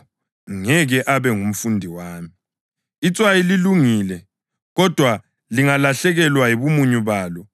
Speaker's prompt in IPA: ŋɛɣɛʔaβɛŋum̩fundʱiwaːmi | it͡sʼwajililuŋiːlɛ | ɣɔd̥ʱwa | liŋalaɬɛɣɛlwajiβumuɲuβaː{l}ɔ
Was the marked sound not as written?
no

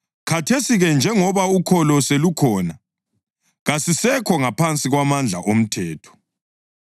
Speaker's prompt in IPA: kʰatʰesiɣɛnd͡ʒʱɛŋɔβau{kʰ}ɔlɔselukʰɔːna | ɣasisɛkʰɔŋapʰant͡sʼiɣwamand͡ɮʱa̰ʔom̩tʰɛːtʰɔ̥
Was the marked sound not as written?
no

